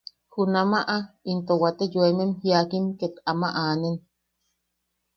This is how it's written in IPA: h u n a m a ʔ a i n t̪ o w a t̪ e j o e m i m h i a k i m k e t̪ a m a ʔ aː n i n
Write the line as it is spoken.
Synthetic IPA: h u n a m a ʔ a i n t̪ o w a t̪ e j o e m e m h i a k i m k e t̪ a m a ʔ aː n e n